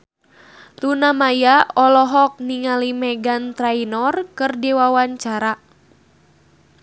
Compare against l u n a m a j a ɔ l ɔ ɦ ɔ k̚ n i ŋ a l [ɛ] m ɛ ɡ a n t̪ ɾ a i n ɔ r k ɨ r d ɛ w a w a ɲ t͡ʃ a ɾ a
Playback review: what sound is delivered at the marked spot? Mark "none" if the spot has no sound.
i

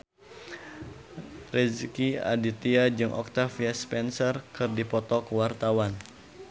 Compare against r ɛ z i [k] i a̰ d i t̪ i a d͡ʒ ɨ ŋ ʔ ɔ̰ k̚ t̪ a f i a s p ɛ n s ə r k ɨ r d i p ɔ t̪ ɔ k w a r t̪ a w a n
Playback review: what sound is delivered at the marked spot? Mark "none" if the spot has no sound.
k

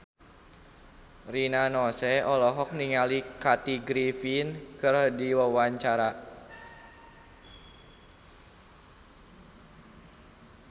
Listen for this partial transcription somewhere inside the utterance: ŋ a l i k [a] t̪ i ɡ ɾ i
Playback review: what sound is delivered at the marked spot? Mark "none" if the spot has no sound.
a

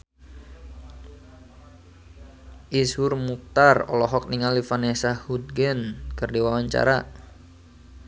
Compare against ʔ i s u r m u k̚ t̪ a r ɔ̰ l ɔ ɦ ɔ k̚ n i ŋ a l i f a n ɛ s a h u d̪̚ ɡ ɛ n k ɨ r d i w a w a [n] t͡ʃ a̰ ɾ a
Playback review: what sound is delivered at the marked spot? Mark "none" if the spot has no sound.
ɲ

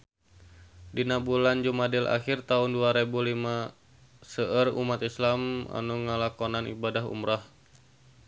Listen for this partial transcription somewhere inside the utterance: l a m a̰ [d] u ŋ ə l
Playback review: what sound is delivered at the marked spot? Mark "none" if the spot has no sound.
n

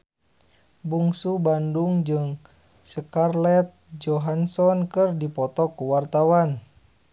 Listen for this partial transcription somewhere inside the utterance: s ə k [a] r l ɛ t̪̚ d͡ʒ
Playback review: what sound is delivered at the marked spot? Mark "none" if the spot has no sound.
a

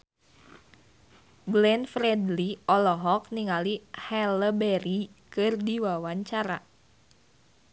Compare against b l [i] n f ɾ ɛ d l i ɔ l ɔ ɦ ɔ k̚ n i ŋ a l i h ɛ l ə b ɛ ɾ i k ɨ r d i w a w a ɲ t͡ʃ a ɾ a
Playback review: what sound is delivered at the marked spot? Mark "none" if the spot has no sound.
ɛ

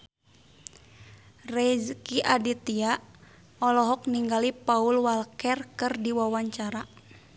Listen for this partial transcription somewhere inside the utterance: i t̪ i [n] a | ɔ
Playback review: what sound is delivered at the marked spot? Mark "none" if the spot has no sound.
none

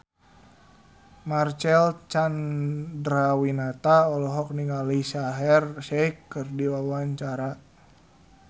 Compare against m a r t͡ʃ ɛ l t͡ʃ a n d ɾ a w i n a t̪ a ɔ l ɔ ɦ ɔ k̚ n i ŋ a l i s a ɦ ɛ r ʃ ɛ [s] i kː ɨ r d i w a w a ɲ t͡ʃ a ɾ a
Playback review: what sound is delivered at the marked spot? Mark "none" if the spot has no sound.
none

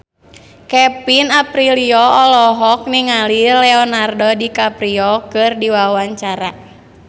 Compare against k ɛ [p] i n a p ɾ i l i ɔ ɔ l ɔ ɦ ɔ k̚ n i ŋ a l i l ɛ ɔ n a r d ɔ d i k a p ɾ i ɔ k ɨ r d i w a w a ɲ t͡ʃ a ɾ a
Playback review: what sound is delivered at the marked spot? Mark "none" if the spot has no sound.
p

